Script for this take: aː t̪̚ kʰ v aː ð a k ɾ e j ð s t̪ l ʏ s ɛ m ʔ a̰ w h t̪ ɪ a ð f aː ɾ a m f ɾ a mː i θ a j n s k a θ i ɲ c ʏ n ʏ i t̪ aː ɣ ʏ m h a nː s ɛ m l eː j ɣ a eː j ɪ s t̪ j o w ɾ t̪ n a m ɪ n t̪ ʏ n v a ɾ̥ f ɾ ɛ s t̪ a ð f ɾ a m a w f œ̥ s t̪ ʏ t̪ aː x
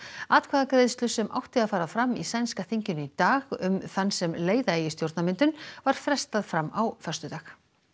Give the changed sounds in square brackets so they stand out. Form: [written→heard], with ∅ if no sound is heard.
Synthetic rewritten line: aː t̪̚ kʰ v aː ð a k ɾ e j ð s t̪ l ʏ s ɛ m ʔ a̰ w h t̪ ɪ a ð f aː ɾ a [m→∅] f ɾ a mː i [θ→s] a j n s k a θ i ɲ c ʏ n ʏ i t̪ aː ɣ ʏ m [h→θ] a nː s ɛ m l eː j [ɣ→ð] a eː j ɪ s t̪ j o w ɾ t̪ n a m ɪ n t̪ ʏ n v a ɾ̥ f ɾ ɛ s t̪ a ð f ɾ a m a w f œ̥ s t̪ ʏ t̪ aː x